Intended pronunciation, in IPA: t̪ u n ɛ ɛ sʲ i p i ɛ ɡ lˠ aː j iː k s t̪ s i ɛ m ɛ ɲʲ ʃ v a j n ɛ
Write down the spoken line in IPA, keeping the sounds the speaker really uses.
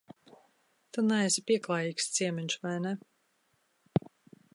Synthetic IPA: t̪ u n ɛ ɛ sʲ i p i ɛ k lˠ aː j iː k s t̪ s i ɛ m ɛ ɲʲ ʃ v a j n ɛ

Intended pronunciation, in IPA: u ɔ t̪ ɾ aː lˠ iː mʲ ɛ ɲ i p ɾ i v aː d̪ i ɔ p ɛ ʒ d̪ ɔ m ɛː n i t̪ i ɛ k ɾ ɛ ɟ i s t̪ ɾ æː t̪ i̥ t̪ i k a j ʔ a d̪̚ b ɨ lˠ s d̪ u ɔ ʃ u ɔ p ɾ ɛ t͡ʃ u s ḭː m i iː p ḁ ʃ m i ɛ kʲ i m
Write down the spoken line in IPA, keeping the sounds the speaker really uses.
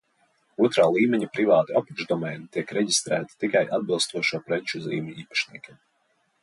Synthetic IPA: u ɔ t̪ ɾ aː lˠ iː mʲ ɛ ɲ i p ɾ i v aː t̪ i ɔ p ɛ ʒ d̪ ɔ m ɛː n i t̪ i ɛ k ɾ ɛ ɟ i s t̪ ɾ æː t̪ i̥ t̪ i k a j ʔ a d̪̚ b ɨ lˠ s t̪ u ɔ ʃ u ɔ p ɾ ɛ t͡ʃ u z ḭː m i iː p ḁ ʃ n i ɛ kʲ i m

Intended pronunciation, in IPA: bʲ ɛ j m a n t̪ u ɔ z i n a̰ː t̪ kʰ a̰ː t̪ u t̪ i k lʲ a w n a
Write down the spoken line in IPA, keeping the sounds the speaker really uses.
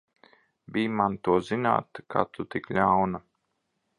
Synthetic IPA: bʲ i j m a n t̪ u ɔ z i n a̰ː t̪ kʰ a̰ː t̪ u t̪ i k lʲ a w n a

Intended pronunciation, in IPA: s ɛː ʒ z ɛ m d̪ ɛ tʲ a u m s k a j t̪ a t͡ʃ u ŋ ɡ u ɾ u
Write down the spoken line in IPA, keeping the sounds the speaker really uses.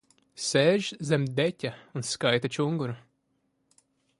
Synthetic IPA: s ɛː ʒ z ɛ m d̪ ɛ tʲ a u n s k a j t̪ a t͡ʃ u ŋ ɡ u ɾ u

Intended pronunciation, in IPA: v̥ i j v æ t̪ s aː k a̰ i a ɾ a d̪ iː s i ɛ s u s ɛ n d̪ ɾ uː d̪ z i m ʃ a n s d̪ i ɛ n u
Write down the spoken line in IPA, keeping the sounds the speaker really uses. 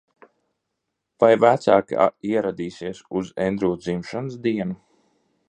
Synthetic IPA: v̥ a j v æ t̪ s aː k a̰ i ɛ ɾ a d̪ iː s i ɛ s u z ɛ n d̪ ɾ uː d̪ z i m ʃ a n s d̪ i ɛ n u

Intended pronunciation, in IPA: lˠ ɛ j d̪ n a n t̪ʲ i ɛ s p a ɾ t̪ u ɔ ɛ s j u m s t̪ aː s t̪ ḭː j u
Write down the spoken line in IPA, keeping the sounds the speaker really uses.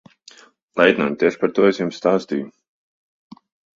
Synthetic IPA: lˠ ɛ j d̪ n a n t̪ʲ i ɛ ʃ p a ɾ t̪ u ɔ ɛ s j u m s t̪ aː s t̪ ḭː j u

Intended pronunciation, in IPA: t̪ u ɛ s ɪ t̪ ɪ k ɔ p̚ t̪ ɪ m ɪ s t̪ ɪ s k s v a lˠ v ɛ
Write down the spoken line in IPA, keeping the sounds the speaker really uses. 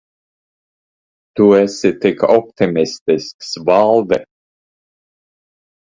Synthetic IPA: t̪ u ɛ s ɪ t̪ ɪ k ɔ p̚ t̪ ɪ m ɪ s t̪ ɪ s k s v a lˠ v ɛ

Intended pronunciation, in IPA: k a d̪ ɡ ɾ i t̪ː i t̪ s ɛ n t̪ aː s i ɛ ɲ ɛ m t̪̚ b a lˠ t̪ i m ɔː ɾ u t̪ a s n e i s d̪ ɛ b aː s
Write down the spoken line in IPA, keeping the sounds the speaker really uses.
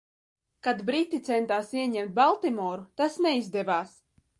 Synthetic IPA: k a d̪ b ɾ i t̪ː i t̪ s ɛ n t̪ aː s i ɛ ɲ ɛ m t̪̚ b a lˠ t̪ i m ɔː ɾ u t̪ a s n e i z d̪ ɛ v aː s

